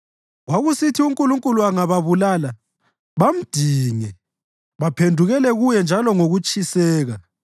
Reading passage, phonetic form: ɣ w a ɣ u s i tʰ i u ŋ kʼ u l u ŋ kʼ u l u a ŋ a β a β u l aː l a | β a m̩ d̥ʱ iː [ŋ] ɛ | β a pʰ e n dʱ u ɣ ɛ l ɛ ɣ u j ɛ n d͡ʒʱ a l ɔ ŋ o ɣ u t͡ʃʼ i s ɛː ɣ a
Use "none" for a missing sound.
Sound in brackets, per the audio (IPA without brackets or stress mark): ŋ